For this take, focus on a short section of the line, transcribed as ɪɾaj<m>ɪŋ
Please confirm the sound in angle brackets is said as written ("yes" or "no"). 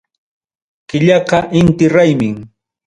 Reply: yes